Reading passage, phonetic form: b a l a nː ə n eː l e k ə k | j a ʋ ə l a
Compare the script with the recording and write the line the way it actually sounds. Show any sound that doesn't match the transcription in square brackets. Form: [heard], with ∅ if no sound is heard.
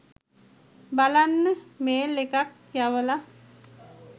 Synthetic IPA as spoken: b a l a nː ə [m] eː l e k [a] k | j a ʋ ə l a